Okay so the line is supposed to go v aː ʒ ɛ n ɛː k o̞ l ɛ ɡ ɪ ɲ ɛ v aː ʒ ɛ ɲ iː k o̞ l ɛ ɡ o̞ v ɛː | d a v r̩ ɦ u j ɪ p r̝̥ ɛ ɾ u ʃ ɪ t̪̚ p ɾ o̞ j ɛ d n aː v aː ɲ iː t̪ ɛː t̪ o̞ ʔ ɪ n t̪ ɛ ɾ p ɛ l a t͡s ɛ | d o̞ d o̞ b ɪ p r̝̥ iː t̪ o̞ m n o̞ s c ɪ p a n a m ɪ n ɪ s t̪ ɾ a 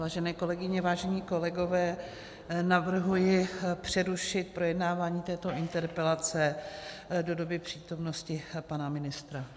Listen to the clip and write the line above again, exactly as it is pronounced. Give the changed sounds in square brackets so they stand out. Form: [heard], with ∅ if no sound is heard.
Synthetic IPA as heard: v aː ʒ ɛ n ɛː k o̞ l ɛ ɡ ɪ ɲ ɛ v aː ʒ ɛ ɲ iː k o̞ l ɛ ɡ o̞ v ɛː | [n] a v r̩ ɦ u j ɪ p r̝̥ ɛ ɾ u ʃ ɪ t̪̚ p ɾ o̞ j ɛ d n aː v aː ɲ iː t̪ ɛː t̪ o̞ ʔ ɪ n t̪ ɛ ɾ p ɛ l a t͡s ɛ | d o̞ d o̞ b ɪ p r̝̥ iː t̪ o̞ m n o̞ s c ɪ p a n a m ɪ n ɪ s t̪ ɾ a